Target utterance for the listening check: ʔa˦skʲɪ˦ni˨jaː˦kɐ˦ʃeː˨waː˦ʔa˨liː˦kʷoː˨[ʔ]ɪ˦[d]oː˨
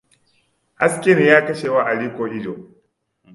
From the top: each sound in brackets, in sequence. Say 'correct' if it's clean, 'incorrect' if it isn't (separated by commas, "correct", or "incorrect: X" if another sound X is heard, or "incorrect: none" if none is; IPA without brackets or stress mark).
correct, incorrect: d͡ʒ